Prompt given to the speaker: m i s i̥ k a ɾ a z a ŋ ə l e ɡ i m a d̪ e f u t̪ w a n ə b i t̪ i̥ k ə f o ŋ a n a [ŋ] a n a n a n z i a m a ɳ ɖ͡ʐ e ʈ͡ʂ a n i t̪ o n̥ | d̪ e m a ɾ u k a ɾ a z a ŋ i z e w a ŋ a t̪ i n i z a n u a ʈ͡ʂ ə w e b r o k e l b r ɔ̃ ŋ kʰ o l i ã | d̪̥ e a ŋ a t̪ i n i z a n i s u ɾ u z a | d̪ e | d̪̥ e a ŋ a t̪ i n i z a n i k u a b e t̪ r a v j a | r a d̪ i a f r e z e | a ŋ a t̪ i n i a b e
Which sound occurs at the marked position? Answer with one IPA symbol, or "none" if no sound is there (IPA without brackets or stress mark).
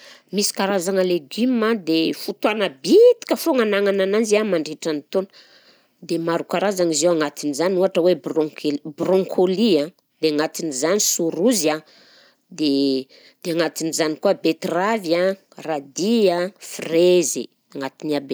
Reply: ŋ